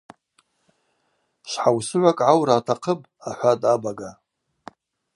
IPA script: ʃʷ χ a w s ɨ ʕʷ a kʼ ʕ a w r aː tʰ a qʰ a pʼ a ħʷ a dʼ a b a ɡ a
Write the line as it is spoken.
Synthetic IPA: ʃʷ ħ a w s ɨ ʕʷ a kʼ ʕ a w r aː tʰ a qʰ ə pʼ a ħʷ a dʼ a b a ɡ a